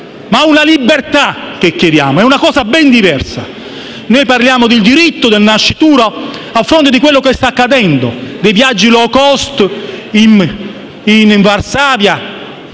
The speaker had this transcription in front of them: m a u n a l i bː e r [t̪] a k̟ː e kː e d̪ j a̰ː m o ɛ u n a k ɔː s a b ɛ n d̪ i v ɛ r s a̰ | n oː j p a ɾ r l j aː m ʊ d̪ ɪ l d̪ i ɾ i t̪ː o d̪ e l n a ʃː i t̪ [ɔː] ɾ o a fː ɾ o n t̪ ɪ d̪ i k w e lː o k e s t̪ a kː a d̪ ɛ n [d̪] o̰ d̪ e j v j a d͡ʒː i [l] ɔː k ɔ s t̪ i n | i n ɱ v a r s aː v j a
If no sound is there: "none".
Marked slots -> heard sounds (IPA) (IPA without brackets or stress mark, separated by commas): t̪, uː, d̪, l